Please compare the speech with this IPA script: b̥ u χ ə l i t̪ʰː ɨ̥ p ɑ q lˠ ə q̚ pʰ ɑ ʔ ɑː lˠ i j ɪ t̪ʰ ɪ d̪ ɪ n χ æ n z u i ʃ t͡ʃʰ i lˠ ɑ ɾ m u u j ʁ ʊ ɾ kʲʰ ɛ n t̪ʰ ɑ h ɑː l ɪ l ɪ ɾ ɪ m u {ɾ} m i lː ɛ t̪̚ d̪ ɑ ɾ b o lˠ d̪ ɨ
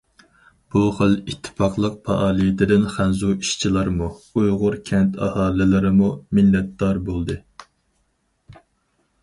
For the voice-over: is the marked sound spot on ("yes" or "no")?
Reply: no